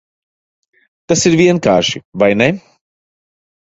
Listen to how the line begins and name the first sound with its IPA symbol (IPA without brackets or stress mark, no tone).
t̪